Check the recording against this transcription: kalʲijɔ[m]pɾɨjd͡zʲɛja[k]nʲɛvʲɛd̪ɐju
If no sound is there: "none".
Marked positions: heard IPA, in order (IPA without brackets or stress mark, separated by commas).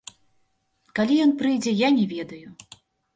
n, none